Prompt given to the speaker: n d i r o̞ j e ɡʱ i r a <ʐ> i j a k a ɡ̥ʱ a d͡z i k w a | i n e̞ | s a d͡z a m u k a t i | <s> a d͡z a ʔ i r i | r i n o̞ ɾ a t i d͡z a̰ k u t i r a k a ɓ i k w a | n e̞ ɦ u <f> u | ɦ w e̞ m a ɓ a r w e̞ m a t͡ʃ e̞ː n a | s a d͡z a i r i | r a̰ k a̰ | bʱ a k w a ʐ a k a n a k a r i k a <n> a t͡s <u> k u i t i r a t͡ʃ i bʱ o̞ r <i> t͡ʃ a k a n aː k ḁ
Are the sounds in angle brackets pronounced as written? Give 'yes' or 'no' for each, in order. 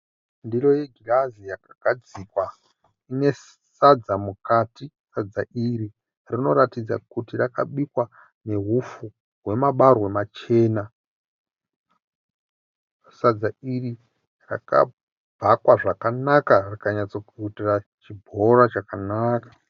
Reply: no, yes, yes, no, no, no

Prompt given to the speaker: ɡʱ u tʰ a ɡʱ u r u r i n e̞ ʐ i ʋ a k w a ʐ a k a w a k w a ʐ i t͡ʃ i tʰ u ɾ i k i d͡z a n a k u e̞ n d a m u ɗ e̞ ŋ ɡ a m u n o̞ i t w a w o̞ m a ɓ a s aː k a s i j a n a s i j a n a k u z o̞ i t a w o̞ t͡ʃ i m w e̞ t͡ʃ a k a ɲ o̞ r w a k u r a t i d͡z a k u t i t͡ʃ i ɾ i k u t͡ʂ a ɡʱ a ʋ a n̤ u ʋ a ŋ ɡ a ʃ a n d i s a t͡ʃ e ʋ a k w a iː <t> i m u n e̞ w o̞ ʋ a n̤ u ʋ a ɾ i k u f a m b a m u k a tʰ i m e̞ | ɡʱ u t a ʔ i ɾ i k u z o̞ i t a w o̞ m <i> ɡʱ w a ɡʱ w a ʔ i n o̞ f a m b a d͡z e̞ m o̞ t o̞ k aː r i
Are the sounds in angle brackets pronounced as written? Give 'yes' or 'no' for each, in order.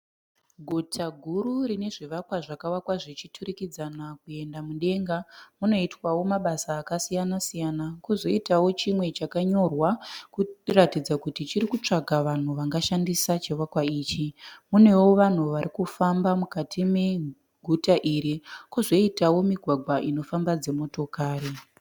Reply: no, yes

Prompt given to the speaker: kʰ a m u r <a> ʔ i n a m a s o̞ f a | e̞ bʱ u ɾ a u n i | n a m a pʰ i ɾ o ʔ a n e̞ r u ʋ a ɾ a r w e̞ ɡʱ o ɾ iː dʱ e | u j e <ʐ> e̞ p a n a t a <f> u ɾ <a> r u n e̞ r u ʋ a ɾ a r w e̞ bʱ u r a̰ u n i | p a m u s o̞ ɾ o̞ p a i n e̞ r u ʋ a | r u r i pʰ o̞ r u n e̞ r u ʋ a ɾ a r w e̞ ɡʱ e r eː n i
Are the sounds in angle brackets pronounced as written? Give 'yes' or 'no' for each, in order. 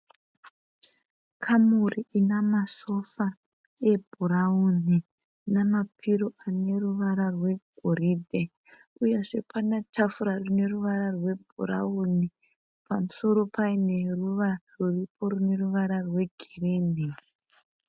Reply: no, yes, yes, yes

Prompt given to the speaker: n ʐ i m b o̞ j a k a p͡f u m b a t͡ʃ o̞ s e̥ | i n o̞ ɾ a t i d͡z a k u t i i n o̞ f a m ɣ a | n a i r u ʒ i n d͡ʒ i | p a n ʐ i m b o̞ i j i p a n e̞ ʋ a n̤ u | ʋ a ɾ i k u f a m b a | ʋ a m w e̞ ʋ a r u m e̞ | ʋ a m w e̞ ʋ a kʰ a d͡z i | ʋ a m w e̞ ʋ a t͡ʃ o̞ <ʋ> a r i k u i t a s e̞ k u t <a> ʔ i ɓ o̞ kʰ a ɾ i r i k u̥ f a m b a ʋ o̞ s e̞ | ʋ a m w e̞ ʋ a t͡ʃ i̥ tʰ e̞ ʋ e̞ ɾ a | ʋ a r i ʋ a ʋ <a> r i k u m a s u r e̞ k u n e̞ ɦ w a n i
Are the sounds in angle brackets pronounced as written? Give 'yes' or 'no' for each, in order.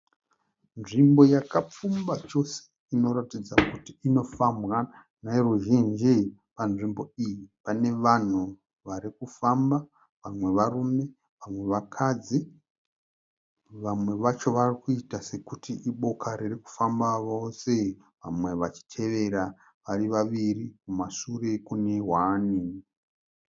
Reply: yes, no, no

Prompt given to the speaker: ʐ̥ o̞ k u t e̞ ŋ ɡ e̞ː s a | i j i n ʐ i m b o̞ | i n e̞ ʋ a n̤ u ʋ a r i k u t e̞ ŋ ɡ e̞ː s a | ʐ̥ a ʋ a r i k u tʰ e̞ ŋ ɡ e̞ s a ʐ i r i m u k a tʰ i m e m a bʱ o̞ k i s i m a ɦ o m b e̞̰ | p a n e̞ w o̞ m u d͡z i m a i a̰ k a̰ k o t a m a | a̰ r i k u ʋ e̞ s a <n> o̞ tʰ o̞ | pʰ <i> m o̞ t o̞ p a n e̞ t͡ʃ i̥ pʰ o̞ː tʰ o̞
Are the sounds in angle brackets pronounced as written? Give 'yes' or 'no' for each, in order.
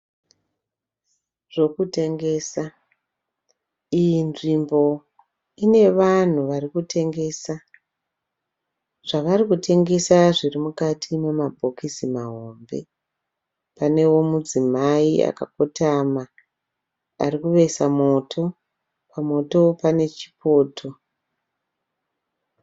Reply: no, no

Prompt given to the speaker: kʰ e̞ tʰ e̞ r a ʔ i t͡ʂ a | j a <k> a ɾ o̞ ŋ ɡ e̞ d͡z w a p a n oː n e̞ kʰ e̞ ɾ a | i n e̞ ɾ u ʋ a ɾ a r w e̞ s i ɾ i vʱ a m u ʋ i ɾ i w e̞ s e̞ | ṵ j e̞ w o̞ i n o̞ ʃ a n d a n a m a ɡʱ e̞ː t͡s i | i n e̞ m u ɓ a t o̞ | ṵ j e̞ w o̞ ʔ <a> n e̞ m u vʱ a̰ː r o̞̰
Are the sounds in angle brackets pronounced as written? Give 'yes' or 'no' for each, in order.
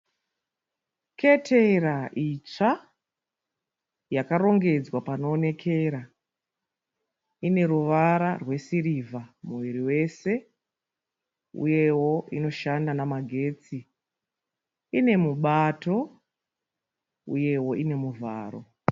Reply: yes, no

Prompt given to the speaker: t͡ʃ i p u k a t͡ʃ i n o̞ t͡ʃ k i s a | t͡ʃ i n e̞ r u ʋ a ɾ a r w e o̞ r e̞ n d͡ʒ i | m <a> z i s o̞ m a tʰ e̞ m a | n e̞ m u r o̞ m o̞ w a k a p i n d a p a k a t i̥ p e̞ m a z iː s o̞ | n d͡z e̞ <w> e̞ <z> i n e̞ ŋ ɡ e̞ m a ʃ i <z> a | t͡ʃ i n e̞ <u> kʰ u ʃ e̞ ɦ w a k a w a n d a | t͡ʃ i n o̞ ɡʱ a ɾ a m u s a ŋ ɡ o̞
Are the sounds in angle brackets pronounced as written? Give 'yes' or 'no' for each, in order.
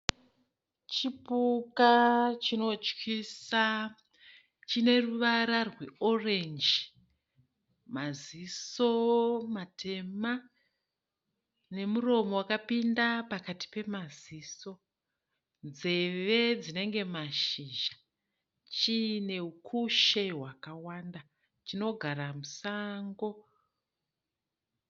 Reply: yes, no, no, no, yes

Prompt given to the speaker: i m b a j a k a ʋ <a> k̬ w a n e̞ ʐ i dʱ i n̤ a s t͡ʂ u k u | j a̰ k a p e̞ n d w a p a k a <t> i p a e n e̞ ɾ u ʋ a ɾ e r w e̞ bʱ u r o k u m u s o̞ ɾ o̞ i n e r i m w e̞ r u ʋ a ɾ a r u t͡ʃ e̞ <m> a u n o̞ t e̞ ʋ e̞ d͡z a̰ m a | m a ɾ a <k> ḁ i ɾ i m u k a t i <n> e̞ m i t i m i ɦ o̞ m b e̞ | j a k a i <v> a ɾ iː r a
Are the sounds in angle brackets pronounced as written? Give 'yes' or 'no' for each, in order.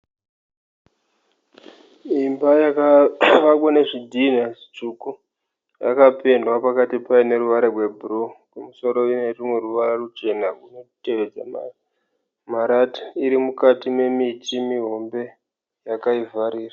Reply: yes, yes, no, no, no, yes

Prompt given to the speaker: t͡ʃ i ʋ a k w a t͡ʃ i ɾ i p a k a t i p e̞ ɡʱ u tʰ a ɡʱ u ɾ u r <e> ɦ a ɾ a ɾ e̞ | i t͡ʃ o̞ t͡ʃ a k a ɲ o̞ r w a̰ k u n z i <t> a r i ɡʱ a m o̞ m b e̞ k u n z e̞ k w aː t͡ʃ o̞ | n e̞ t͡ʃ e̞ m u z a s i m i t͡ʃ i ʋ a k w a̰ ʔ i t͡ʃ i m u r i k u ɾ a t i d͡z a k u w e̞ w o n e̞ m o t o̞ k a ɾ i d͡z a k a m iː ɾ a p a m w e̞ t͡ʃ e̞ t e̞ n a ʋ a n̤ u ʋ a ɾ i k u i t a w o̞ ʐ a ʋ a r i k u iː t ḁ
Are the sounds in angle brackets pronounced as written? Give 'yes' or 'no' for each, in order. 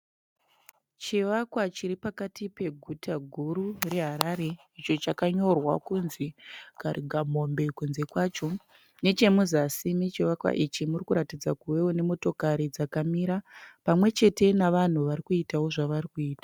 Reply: yes, no

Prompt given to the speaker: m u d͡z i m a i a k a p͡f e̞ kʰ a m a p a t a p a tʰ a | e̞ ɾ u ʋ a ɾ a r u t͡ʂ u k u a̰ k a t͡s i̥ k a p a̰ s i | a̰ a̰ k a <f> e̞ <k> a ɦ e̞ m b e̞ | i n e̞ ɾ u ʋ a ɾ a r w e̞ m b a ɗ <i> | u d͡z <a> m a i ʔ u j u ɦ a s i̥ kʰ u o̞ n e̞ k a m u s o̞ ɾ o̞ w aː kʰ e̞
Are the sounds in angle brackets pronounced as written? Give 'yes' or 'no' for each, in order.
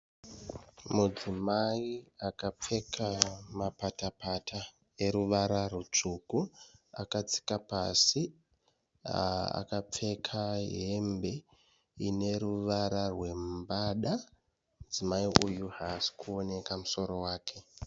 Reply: no, no, no, no

